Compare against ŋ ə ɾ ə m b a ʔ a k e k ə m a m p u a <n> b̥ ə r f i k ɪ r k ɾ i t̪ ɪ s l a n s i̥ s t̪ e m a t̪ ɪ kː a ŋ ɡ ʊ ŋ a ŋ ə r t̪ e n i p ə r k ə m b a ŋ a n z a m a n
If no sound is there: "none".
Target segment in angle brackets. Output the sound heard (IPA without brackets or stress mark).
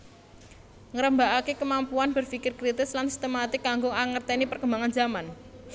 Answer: n